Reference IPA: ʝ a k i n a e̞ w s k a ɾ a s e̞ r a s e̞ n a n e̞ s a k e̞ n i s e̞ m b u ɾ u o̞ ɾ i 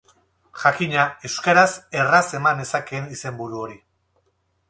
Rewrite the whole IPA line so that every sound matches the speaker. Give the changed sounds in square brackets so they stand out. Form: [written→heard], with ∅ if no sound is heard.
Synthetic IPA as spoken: ʝ a k i [n→ɲ] a e̞ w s k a ɾ a s e̞ r a s e̞ [n→m] a n e̞ s a k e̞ n i s e̞ m b u ɾ u o̞ ɾ i